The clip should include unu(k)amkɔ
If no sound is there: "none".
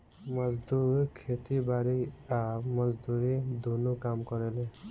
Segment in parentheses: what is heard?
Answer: k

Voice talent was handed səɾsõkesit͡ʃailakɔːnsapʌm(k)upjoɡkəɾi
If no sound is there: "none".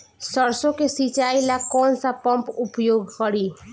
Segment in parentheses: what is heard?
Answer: p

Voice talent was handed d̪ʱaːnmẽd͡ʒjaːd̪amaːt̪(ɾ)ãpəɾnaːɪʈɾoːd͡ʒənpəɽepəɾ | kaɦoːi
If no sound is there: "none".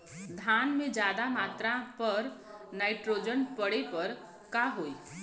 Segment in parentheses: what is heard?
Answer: ɾ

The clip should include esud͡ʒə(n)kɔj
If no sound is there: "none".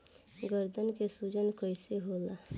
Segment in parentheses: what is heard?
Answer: n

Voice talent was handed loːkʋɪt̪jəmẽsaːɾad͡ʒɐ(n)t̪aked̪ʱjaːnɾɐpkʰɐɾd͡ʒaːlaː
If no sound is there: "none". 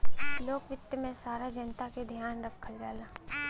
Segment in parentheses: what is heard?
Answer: n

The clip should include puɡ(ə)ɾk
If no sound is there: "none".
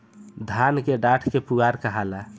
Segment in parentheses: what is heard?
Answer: a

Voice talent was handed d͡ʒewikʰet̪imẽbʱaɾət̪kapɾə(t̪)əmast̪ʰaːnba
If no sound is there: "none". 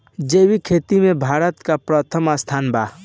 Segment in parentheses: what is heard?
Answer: t̪ʰ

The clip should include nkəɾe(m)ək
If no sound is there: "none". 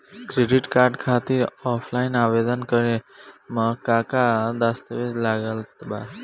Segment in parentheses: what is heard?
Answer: m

